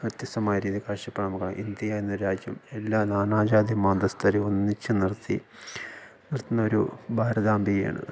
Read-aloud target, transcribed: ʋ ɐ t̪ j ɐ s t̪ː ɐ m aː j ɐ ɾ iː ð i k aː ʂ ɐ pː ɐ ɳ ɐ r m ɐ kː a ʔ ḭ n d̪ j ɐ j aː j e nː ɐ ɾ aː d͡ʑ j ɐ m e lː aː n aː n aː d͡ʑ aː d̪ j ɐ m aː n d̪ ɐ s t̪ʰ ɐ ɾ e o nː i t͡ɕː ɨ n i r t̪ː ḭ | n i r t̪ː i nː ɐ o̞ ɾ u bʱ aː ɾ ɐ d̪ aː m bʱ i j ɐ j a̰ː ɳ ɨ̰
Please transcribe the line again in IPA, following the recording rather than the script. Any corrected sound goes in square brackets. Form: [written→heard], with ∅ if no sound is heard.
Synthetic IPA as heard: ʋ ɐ t̪ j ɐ s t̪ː ɐ m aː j ɐ ɾ iː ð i k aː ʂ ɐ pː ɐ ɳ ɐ [r→∅] m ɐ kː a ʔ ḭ n d̪ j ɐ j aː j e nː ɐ ɾ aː d͡ʑ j ɐ m e lː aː n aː n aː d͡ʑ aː d̪ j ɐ m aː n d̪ ɐ s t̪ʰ ɐ ɾ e o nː i t͡ɕː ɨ n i r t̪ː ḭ | n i r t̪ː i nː ɐ o̞ ɾ u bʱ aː ɾ ɐ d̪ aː m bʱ i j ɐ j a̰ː ɳ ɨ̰